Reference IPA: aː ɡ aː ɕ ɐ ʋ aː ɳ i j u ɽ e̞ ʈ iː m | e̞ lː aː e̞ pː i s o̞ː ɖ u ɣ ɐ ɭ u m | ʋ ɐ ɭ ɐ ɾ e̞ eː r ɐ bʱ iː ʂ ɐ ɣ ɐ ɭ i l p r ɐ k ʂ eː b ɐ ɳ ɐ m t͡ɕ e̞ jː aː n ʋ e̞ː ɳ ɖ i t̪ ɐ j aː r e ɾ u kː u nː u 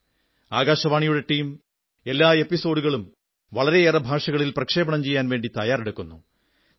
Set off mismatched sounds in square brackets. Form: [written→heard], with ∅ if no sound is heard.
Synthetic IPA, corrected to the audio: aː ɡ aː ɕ ɐ ʋ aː ɳ i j u ɽ e̞ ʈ iː m | e̞ lː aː e̞ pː i s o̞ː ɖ u ɣ ɐ ɭ u m | ʋ ɐ ɭ ɐ ɾ e̞ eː r ɐ bʱ [iː→aː] ʂ ɐ ɣ ɐ ɭ i l p r ɐ k ʂ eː b ɐ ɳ ɐ m t͡ɕ e̞ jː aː n ʋ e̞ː ɳ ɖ i t̪ ɐ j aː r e [ɾ→ɽ] u kː u nː u

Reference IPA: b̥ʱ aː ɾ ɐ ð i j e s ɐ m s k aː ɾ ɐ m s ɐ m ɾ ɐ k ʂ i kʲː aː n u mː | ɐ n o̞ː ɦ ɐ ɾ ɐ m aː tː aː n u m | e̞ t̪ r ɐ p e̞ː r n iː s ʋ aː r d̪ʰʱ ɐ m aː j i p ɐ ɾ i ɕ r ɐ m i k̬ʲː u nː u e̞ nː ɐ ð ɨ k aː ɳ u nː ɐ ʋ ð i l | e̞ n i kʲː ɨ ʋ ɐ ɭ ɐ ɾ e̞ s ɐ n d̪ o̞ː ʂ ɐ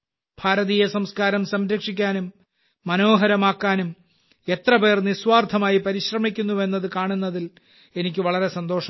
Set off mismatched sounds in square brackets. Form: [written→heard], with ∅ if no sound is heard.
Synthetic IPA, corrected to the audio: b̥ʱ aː ɾ ɐ ð i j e s ɐ m s k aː ɾ ɐ m s ɐ m ɾ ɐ k ʂ i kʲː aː n u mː | ɐ n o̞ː ɦ ɐ ɾ ɐ m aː [tː→kː] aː n u m | e̞ t̪ r ɐ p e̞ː r n [iː→i] s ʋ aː r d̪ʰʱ ɐ m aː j i p ɐ ɾ i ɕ r ɐ m i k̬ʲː u nː u e̞ nː ɐ ð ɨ k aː ɳ u nː ɐ [ʋ→∅] ð i l | e̞ n i kʲː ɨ ʋ ɐ ɭ ɐ ɾ e̞ s ɐ n d̪ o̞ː ʂ ɐ

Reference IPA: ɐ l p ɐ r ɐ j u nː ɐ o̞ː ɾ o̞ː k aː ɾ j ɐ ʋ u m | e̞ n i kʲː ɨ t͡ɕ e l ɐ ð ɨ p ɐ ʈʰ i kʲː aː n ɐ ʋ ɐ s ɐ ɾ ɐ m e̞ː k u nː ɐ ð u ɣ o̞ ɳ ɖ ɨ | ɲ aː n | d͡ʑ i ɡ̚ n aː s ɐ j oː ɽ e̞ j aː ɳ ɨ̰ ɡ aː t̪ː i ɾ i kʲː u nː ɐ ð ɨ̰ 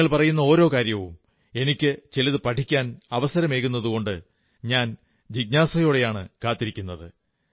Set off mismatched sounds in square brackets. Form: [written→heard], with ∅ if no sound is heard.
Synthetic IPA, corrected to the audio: ɐ [l→ɭ] p ɐ r ɐ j u nː ɐ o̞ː ɾ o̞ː k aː ɾ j ɐ ʋ u m | e̞ n i kʲː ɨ t͡ɕ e l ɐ ð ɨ p ɐ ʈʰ i kʲː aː n ɐ ʋ ɐ s ɐ ɾ ɐ m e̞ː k u nː ɐ ð u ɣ o̞ ɳ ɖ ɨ | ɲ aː n | d͡ʑ i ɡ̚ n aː s ɐ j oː ɽ e̞ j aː ɳ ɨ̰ [ɡ→k] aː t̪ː i ɾ i kʲː u nː ɐ ð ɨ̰

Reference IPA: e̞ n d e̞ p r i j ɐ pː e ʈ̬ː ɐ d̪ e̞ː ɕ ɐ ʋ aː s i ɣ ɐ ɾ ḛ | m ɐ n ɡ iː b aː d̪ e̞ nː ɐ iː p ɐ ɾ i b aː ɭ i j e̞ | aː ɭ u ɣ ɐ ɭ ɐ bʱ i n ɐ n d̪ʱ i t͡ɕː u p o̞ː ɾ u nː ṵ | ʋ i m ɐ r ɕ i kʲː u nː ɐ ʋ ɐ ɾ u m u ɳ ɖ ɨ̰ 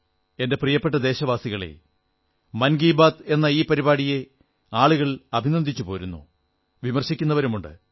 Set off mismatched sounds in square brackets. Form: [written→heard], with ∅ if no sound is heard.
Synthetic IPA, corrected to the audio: e̞ n d e̞ p r i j ɐ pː e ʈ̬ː ɐ d̪ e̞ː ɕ ɐ ʋ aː s i ɣ ɐ [ɾ→ɭ] ḛ | m ɐ n ɡ iː b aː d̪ e̞ nː ɐ iː p ɐ ɾ i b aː [ɭ→ɽ] i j e̞ | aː ɭ u ɣ ɐ ɭ ɐ bʱ i n ɐ n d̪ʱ i t͡ɕː u p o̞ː ɾ u nː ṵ | ʋ i m ɐ r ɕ i kʲː u nː ɐ ʋ ɐ ɾ u m u ɳ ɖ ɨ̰

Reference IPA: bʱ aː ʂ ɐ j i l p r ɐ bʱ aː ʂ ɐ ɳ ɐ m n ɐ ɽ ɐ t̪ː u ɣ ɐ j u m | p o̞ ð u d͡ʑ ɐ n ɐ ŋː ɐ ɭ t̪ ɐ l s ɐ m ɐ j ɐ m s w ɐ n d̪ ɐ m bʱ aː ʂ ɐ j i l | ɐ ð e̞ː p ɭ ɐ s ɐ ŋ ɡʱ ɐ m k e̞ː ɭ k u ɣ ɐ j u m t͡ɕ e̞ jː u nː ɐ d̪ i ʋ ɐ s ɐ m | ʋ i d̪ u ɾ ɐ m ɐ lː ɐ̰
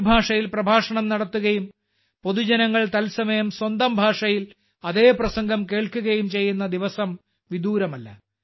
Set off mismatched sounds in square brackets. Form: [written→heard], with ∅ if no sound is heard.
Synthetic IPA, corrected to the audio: bʱ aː ʂ ɐ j i l p r ɐ bʱ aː ʂ ɐ ɳ ɐ m n ɐ ɽ ɐ t̪ː u ɣ ɐ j u m | p o̞ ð u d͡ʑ ɐ n ɐ ŋː ɐ ɭ t̪ ɐ l s ɐ m ɐ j ɐ m s w ɐ n d̪ ɐ m bʱ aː ʂ ɐ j i l | ɐ ð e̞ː p [ɭ→r] ɐ s ɐ ŋ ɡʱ ɐ m k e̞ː ɭ k u ɣ ɐ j u m t͡ɕ e̞ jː u nː ɐ d̪ i ʋ ɐ s ɐ m | ʋ i d̪ [u→uː] ɾ ɐ m ɐ lː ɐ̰

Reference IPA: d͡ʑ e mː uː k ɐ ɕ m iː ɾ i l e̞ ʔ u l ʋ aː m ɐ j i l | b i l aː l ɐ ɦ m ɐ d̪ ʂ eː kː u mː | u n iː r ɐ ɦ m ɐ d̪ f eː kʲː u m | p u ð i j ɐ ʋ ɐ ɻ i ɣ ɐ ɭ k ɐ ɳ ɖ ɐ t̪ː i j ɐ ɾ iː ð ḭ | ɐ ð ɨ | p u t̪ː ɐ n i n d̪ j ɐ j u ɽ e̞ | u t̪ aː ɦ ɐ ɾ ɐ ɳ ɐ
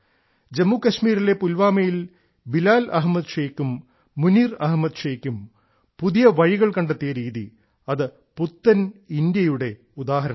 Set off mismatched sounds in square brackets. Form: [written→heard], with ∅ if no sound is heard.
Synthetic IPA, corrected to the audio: d͡ʑ e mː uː k ɐ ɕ m iː ɾ i l e̞ [ʔ→p] u l ʋ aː m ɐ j i l | b i l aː l ɐ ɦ m ɐ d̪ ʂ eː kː u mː | u n iː r ɐ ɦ m ɐ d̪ [f→ʂ] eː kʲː u m | p u ð i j ɐ ʋ ɐ ɻ i ɣ ɐ ɭ k ɐ ɳ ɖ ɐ t̪ː i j ɐ ɾ iː ð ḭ | ɐ ð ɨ | p u t̪ː ɐ n i n d̪ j ɐ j u ɽ e̞ | u [t̪→d̪] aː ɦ ɐ ɾ ɐ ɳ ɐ

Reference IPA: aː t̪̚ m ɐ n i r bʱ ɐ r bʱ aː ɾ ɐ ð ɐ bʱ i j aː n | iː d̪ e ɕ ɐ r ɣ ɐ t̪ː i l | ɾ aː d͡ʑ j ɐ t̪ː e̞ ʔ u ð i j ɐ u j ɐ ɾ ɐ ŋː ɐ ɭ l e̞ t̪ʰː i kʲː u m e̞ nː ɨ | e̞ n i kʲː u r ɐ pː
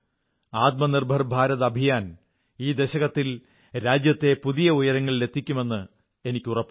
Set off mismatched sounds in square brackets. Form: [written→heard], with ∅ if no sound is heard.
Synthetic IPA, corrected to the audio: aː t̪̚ m ɐ n i r bʱ ɐ r bʱ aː ɾ ɐ ð ɐ bʱ i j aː n | iː d̪ e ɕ ɐ [r→∅] ɣ ɐ t̪ː i l | ɾ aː d͡ʑ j ɐ t̪ː e̞ [ʔ→p] u ð i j ɐ u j ɐ ɾ ɐ ŋː ɐ ɭ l e̞ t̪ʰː i kʲː u m e̞ nː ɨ | e̞ n i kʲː u r ɐ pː

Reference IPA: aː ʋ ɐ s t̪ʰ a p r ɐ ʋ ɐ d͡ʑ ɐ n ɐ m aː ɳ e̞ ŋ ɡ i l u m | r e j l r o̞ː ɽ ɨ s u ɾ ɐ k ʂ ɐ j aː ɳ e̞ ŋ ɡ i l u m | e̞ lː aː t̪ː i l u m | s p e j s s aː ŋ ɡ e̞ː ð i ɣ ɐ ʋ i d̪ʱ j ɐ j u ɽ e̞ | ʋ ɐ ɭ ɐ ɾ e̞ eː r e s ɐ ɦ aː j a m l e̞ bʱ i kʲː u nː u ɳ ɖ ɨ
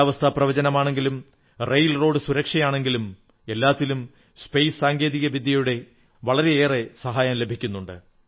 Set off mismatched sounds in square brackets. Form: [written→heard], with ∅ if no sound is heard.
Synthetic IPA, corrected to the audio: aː ʋ ɐ s t̪ʰ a p r ɐ ʋ ɐ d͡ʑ ɐ n ɐ m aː ɳ e̞ ŋ ɡ i l u m | r e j l r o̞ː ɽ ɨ s u ɾ ɐ k ʂ ɐ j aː ɳ e̞ ŋ ɡ i l u m | e̞ lː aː t̪ː i l u m | s p e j s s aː ŋ ɡ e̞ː ð i ɣ ɐ ʋ i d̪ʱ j ɐ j u ɽ e̞ | ʋ ɐ ɭ ɐ ɾ e̞ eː r e s ɐ ɦ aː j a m l e̞ bʱ i kʲː u nː u ɳ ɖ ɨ

